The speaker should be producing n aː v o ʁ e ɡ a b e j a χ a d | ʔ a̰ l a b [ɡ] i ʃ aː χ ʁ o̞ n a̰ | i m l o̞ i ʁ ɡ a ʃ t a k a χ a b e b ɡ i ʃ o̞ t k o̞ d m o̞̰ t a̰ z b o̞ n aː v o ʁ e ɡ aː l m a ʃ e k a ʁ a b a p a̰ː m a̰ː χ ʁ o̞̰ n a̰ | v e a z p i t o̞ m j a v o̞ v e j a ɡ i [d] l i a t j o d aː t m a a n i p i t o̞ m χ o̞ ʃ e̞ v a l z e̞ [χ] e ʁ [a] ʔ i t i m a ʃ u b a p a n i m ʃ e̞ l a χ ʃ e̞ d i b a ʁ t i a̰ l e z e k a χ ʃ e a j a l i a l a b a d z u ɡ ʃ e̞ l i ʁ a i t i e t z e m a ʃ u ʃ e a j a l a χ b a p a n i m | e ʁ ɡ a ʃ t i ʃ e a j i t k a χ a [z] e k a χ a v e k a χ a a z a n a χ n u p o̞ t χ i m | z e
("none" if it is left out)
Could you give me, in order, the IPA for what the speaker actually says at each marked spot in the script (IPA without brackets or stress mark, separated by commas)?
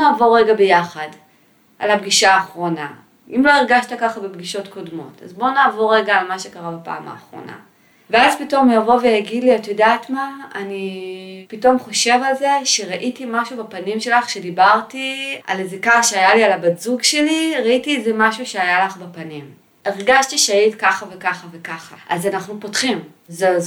ɡ, d, ʃ, a, v